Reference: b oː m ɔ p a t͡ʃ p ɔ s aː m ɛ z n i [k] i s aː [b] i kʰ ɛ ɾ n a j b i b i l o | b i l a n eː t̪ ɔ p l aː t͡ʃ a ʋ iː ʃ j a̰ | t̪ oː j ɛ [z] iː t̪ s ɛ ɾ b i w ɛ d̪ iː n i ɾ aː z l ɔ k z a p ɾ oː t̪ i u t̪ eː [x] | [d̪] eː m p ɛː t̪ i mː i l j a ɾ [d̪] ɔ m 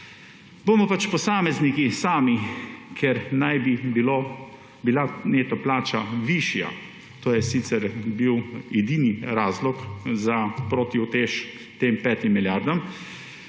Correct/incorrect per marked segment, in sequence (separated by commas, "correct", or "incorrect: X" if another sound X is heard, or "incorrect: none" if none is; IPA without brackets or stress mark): correct, incorrect: m, incorrect: s, incorrect: ʃ, incorrect: t̪, correct